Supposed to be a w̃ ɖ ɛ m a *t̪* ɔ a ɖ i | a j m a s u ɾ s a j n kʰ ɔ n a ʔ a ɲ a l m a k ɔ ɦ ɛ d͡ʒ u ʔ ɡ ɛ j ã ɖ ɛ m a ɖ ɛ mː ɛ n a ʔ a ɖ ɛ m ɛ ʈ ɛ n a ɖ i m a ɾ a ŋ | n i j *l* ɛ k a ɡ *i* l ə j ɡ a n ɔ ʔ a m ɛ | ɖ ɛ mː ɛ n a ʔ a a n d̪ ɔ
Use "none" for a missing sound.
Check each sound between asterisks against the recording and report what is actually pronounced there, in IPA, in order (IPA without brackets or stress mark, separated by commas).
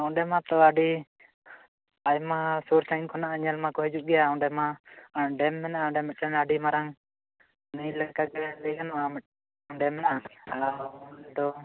t̪, l, ɛ